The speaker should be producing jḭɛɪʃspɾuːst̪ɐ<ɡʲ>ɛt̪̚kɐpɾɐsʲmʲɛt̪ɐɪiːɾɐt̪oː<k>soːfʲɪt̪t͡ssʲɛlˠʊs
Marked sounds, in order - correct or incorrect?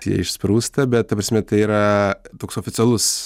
incorrect: bʲ, correct

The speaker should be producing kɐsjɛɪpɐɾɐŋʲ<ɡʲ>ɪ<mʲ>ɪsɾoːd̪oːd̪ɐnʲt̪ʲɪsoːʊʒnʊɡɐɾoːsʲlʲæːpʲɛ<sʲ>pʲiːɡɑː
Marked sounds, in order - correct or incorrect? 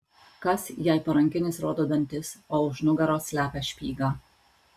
incorrect: kʲ, incorrect: nʲ, incorrect: ʃʲ

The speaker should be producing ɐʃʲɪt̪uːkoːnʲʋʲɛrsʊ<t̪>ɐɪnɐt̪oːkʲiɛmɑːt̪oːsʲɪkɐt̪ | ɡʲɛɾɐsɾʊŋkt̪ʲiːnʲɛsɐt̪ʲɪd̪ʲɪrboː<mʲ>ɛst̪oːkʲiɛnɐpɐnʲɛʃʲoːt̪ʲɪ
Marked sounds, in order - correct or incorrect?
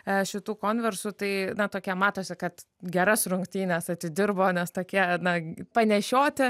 correct, incorrect: nʲ

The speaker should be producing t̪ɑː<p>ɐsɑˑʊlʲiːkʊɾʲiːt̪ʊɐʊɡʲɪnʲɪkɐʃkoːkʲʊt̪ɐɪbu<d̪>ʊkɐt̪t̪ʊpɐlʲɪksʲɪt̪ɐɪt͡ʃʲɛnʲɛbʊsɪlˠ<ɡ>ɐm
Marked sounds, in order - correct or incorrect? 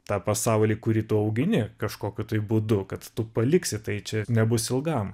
correct, correct, correct

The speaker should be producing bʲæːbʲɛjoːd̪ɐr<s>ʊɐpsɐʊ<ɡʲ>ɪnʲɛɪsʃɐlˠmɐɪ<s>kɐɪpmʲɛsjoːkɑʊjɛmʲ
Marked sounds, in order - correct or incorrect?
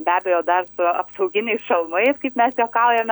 correct, correct, correct

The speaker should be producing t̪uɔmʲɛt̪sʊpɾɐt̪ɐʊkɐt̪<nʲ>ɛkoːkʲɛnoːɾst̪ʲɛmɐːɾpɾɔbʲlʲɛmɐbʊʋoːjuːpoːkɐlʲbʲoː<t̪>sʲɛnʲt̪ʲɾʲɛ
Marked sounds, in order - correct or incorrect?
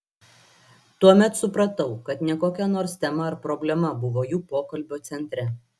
correct, correct

